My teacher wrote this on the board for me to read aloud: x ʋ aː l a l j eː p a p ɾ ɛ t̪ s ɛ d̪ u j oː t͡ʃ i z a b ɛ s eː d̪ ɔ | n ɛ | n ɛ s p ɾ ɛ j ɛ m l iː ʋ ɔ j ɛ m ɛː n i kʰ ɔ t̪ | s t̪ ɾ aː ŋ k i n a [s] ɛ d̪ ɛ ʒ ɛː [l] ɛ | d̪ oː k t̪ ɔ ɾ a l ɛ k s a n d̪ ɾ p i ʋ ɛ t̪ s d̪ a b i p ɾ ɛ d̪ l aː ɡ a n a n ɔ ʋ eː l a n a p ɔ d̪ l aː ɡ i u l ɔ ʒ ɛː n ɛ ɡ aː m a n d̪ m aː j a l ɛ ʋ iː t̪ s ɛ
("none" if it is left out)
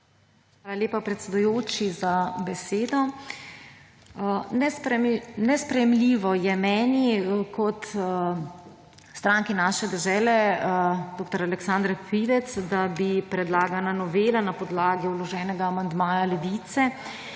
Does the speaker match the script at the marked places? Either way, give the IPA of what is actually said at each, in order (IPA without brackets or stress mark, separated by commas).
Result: ʃ, l